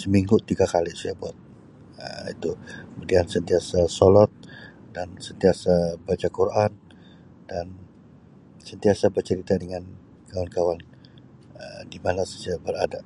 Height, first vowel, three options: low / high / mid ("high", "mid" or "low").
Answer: mid